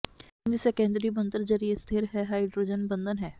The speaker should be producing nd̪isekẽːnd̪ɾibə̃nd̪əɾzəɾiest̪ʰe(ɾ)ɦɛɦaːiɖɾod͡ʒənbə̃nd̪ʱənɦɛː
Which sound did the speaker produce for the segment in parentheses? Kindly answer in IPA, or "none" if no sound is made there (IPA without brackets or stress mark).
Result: ɾ